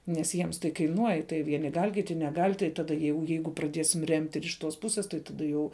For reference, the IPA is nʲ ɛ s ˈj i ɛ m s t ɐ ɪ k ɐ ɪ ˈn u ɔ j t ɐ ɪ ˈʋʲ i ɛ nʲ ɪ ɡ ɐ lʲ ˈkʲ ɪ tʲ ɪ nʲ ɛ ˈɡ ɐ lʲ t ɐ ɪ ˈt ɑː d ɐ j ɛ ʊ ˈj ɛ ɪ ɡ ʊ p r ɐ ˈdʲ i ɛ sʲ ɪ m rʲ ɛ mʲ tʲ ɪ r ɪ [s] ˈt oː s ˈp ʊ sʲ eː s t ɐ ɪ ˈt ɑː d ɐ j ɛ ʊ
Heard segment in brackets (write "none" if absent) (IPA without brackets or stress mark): ʃ